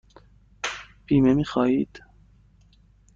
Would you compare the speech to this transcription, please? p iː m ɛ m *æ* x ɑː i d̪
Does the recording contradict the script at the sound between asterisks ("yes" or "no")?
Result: yes